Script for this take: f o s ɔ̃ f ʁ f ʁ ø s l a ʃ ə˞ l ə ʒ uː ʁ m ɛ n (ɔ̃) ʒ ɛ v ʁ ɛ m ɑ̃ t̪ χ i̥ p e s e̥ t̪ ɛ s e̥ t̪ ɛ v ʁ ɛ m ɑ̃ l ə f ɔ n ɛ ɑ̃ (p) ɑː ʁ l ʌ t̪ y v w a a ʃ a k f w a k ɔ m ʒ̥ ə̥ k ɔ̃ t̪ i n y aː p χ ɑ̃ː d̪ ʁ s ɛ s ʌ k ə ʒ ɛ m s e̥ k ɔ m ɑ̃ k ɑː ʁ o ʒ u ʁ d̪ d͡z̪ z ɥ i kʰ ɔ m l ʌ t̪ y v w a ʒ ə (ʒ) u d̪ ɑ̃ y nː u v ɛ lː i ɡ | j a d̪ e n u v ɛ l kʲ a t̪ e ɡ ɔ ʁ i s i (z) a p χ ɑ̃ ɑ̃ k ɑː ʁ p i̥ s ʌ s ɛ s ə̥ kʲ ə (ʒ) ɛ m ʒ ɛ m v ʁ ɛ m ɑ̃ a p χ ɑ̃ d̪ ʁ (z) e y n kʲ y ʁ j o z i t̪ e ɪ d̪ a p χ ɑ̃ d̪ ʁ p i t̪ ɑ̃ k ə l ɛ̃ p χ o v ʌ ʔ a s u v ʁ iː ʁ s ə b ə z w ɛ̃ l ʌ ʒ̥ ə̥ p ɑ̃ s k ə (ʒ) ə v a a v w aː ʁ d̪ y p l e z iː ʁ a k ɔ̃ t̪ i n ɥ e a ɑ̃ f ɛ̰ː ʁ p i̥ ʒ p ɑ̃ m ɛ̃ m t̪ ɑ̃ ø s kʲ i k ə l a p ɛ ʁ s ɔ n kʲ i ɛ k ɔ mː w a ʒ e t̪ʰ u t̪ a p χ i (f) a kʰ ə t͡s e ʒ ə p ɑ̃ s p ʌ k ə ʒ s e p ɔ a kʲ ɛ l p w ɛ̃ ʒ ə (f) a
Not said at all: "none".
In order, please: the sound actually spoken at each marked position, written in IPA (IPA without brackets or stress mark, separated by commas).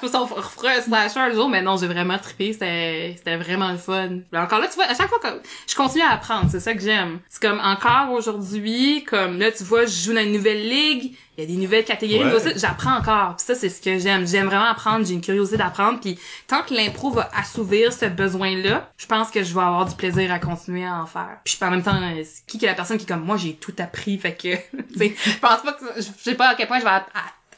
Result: ɔ̃, k, ʒ, ʒ, ʒ, ʒ, ʒ, f, v